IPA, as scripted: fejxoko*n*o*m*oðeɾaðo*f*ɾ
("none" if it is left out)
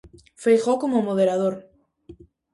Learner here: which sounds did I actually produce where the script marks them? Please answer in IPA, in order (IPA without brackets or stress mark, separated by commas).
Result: m, m, none